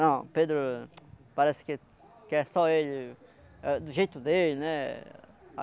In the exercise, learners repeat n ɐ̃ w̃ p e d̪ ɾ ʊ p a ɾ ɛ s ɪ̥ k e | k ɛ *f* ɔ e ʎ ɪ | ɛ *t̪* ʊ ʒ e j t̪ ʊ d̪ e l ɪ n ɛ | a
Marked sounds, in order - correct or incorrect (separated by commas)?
incorrect, incorrect